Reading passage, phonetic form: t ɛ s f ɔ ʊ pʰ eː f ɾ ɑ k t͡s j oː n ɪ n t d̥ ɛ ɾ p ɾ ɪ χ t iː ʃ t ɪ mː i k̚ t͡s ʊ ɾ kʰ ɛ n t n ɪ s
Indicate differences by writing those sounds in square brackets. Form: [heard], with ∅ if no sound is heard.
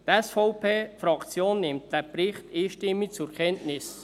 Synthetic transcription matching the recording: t ɛ s f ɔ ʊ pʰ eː f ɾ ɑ k t͡s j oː [nː] ɪ [m] t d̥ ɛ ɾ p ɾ ɪ χ t iː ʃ t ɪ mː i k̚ t͡s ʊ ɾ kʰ ɛ n t n ɪ s